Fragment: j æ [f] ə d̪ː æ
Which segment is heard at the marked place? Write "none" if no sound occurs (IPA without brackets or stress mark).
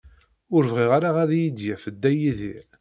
f